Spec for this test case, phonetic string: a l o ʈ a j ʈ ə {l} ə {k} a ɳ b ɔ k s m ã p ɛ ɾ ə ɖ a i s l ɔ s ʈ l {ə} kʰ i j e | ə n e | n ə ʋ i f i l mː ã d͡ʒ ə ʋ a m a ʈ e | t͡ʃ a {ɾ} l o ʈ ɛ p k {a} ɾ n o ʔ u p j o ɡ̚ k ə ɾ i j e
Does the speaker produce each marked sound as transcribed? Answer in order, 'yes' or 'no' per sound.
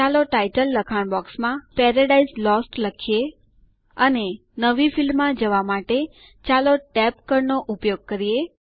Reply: no, no, yes, no, no

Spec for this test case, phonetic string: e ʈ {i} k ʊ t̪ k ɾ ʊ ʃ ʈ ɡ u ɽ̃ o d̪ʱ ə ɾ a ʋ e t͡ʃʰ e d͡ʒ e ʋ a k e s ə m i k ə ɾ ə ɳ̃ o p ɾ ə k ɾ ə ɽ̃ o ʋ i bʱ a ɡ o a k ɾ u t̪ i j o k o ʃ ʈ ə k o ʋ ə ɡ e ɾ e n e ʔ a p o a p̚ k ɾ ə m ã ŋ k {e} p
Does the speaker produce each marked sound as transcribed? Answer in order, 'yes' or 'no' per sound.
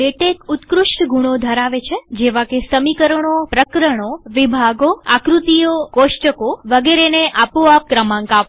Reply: no, no

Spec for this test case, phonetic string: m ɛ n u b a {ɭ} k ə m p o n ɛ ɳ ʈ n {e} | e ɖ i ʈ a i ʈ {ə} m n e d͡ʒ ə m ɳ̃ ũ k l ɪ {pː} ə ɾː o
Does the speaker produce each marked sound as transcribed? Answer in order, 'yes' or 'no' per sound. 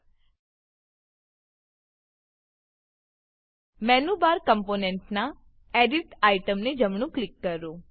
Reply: no, no, yes, no

